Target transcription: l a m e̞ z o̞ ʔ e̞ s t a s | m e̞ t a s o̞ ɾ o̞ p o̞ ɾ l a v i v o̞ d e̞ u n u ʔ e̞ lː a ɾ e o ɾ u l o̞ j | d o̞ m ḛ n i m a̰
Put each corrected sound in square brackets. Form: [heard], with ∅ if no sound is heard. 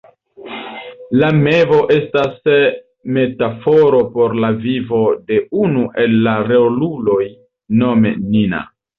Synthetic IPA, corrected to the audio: l a m e̞ [v] o̞ ʔ e̞ s t a s | m e̞ t a [f] o̞ ɾ o̞ p o̞ ɾ l a v i v o̞ d e̞ u n u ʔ e̞ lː a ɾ e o [l] u l o̞ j | [n] o̞ m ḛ n i [n] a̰

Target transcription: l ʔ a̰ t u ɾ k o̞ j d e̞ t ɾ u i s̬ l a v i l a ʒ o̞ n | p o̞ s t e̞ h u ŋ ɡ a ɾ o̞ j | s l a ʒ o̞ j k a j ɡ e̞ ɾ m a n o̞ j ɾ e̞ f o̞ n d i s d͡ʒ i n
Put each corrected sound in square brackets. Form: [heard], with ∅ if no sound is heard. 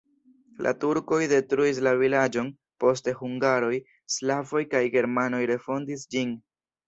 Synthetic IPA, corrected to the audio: l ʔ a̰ t u ɾ k o̞ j d e̞ t ɾ u i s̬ l a v i l a [d͡ʒ] o̞ n | p o̞ s t e̞ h u ŋ ɡ a ɾ o̞ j | s l a [v] o̞ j k a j ɡ e̞ ɾ m a n o̞ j ɾ e̞ f o̞ n d i s d͡ʒ i n

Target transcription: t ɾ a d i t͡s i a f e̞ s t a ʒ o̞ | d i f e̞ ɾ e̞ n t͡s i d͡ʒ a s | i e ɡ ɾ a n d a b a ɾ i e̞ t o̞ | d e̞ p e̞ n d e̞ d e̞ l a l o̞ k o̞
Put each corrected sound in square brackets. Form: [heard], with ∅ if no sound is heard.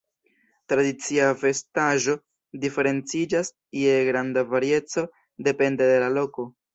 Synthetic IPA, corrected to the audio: t ɾ a d i t͡s i a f e̞ s t a ʒ o̞ | d i f e̞ ɾ e̞ n t͡s i d͡ʒ a s | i e ɡ ɾ a n d a [v] a ɾ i e̞ [t͡s] o̞ | d e̞ p e̞ n d e̞ d e̞ l a l o̞ k o̞

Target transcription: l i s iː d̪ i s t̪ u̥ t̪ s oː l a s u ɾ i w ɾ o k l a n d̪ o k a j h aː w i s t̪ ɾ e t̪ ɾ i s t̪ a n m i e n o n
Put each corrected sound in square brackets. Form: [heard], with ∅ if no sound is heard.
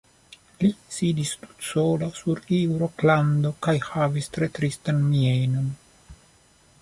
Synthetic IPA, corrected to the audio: l i s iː d̪ i s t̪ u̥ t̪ s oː l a s u ɾ i w ɾ o k l a n d̪ o k a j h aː [v] i s t̪ ɾ e t̪ ɾ i s t̪ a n m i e n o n

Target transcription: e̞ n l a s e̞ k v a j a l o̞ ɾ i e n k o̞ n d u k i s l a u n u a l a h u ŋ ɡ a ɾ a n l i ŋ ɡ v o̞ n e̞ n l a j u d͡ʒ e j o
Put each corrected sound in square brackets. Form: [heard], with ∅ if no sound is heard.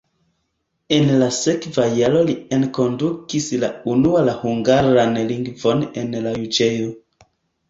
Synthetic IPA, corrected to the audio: e̞ n l a s e̞ k v a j a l o̞ [l] i e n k o̞ n d u k i s l a u n u a l a h u ŋ ɡ a ɾ a n l i ŋ ɡ v o̞ n e̞ n l a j u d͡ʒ e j o

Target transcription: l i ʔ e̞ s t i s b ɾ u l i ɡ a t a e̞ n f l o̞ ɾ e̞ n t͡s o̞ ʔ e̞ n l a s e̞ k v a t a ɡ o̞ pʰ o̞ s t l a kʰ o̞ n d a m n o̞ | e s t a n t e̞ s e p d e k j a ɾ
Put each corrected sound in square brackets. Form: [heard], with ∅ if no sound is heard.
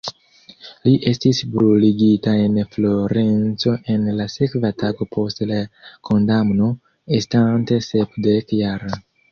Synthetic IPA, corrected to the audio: l i ʔ e̞ s t i s b ɾ u l i ɡ [i] t a e̞ n f l o̞ ɾ e̞ n t͡s o̞ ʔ e̞ n l a s e̞ k v a t a ɡ o̞ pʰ o̞ s t l a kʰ o̞ n d a m n o̞ | e s t a n t e̞ s e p d e k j a ɾ

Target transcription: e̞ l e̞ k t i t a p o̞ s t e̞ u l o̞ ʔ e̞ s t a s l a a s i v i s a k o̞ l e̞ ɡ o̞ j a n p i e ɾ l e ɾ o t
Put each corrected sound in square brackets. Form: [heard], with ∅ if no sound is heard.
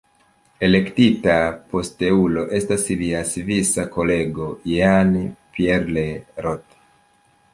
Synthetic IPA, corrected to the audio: e̞ l e̞ k t i t a p o̞ s t e̞ u l o̞ ʔ e̞ s t a s l [i] a s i v i s a k o̞ l e̞ ɡ o̞ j a n p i e ɾ l e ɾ o t

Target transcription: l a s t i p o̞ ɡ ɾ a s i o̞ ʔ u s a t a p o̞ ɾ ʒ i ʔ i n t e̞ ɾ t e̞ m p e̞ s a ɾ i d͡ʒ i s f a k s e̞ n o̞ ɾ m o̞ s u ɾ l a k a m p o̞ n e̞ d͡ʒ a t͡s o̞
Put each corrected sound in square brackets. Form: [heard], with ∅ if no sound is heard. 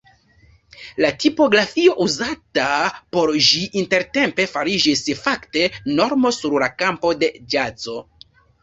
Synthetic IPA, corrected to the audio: l a [∅] t i p o̞ ɡ ɾ a [f] i o̞ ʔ u [z] a t a p o̞ ɾ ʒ i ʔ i n t e̞ ɾ t e̞ m p e̞ [f] a ɾ i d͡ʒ i s f a k [t] e̞ n o̞ ɾ m o̞ s u ɾ l a k a m p o̞ [d] e̞ d͡ʒ a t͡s o̞

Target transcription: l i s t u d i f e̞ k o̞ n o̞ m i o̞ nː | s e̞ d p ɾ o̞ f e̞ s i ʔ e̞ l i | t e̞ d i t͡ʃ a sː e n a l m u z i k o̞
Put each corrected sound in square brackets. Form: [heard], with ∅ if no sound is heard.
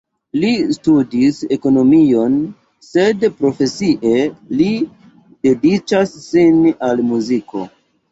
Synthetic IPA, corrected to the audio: l i s t u d i [s] e̞ k o̞ n o̞ m i o̞ [n] | s e̞ d p ɾ o̞ f e̞ s i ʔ e̞ l i | [d] e̞ d i t͡ʃ a sː [i] n a l m u z i k o̞

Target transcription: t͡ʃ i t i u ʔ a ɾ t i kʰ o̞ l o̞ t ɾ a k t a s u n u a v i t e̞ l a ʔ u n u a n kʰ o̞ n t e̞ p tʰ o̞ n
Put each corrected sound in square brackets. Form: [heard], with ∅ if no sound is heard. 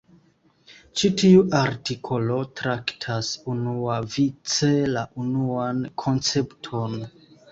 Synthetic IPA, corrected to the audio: t͡ʃ i t i u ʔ a ɾ t i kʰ o̞ l o̞ t ɾ a k [tʰ] a s u n u a v i [t͡s] e̞ l a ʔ u n u a n kʰ o̞ n [t͡s] e̞ p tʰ o̞ n

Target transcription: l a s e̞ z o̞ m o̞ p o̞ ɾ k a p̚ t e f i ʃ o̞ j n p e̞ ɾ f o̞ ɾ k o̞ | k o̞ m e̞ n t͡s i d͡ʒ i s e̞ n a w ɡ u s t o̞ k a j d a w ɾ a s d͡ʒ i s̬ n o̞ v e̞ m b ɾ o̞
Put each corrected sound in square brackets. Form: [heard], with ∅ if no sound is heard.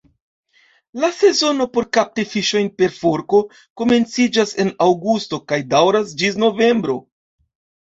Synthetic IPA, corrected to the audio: l a s e̞ z o̞ [n] o̞ p o̞ ɾ k a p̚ t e f i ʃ o̞ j n p e̞ ɾ f o̞ ɾ k o̞ | k o̞ m e̞ n t͡s i d͡ʒ [a] s e̞ n a w ɡ u s t o̞ k a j d a w ɾ a s d͡ʒ i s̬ n o̞ v e̞ m b ɾ o̞

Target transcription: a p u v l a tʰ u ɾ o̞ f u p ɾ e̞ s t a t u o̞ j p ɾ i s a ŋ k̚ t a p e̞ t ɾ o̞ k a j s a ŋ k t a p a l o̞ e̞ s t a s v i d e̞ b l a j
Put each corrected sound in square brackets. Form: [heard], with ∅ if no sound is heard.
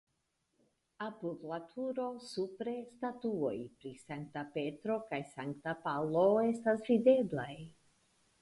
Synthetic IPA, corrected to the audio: a p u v l a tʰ u ɾ o̞ [s] u p ɾ e̞ s t a t u o̞ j p ɾ i s a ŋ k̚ t a p e̞ t ɾ o̞ k a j s a ŋ k t a p a l o̞ e̞ s t a s v i d e̞ b l a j

